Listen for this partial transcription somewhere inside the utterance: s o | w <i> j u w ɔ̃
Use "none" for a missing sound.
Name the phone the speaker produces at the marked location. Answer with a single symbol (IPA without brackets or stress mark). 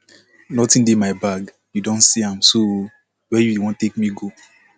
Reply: ɛ